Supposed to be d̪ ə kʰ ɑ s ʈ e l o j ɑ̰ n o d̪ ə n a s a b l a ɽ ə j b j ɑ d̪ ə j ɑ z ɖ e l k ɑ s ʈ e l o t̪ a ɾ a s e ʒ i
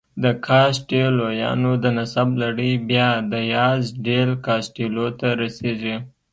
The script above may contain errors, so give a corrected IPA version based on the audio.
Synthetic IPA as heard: d̪ ə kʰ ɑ s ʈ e l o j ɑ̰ n o d̪ ə n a s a b l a ɽ ə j b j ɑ d̪ ə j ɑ z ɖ e l k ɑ s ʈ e l o t̪ a ɾ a s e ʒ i